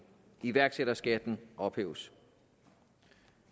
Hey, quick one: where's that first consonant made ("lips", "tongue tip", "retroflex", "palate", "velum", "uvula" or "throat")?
lips